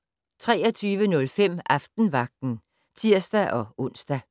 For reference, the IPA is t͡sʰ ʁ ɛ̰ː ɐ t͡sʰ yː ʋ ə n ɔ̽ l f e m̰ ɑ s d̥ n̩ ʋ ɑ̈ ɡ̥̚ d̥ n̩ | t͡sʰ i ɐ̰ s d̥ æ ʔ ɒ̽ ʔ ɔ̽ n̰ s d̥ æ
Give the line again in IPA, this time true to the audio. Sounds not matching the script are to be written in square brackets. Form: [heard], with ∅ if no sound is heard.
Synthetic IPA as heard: t͡sʰ ʁ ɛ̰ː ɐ t͡sʰ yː ʋ ə n ɔ̽ l f e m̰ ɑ [f] d̥ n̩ ʋ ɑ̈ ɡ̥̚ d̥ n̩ | t͡sʰ i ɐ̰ s d̥ æ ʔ ɒ̽ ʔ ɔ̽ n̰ s d̥ æ